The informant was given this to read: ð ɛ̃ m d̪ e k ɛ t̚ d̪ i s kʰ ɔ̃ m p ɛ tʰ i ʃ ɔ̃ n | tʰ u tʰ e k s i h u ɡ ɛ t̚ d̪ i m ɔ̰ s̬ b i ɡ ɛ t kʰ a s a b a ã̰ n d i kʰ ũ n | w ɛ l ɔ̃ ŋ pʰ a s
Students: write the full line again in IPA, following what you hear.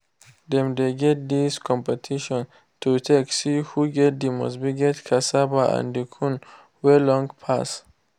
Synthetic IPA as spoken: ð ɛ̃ m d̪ e ɡ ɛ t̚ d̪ i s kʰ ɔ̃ m p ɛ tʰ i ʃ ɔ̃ n | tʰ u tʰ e k s i h u ɡ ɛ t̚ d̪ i m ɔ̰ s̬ b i ɡ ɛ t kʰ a s a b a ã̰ n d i kʰ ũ n | w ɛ l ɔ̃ ŋ pʰ a s